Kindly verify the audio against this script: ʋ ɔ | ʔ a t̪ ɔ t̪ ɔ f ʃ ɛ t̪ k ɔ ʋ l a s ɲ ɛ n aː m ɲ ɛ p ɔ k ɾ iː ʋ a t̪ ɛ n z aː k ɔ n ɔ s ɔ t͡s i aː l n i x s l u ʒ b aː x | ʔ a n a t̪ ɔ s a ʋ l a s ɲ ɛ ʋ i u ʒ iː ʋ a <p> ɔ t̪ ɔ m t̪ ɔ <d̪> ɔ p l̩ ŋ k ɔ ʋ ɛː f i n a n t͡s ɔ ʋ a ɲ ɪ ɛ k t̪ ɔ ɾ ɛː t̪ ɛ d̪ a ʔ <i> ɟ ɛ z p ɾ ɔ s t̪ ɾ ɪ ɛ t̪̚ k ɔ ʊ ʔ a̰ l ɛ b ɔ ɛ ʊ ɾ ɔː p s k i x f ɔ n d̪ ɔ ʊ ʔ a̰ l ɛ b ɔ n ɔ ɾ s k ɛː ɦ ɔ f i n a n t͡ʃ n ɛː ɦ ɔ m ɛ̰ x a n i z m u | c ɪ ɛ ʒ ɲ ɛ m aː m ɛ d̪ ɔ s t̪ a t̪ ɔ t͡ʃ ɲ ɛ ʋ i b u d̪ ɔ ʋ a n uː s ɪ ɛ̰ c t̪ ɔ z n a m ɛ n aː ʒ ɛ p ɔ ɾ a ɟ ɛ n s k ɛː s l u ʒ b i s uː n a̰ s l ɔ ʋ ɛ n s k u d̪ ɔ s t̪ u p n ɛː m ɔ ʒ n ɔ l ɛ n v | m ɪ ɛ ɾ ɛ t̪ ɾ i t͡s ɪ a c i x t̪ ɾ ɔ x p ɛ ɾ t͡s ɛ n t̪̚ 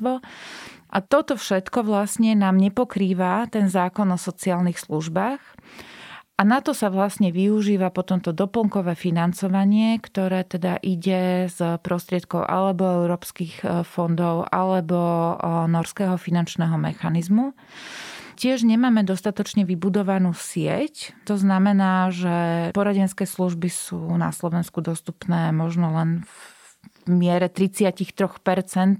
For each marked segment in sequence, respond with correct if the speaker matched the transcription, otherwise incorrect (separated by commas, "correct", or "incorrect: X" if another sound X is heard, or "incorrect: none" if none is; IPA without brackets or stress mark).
correct, correct, correct